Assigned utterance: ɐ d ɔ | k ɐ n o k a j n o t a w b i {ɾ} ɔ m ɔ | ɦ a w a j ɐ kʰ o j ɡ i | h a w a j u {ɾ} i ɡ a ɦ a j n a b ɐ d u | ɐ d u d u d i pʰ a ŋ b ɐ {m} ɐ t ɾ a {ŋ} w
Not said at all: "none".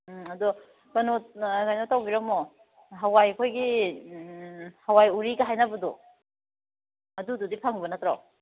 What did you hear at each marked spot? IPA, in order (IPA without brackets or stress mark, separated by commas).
ɾ, ɾ, n, none